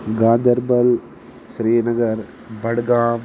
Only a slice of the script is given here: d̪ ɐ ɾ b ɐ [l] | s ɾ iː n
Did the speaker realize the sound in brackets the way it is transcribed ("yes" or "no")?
yes